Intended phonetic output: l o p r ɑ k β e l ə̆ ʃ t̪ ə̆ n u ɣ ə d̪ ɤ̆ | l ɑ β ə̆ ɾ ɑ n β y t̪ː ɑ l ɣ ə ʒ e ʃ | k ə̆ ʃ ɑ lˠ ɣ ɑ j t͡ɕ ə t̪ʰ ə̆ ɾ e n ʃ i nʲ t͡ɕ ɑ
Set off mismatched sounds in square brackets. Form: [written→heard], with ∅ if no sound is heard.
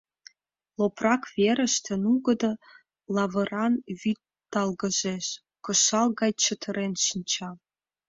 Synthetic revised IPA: l o p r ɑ k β e [l→ɾ] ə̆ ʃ t̪ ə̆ n u ɣ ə d̪ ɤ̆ | l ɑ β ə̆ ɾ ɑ n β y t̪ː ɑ l ɣ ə ʒ e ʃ | k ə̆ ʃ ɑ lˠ ɣ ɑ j t͡ɕ ə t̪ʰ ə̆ ɾ e n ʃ i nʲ t͡ɕ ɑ